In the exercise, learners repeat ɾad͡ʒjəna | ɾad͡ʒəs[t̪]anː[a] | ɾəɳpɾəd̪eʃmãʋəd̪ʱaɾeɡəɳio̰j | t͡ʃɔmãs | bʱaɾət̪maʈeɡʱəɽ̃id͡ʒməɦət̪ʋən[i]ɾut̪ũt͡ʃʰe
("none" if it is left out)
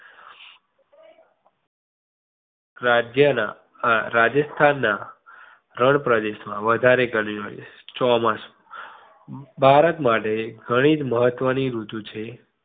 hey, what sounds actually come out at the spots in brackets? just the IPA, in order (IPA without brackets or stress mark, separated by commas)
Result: t̪ʰ, a, i